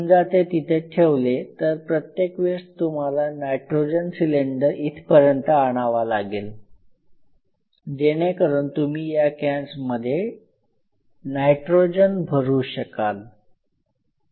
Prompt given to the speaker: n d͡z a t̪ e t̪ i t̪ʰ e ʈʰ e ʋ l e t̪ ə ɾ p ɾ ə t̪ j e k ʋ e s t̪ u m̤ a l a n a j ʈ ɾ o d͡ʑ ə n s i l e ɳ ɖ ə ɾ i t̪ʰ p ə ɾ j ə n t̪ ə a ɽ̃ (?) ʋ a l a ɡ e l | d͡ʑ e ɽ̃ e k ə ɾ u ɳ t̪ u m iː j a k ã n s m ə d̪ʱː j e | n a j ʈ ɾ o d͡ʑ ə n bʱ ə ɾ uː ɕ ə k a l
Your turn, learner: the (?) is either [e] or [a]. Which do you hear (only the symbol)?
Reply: a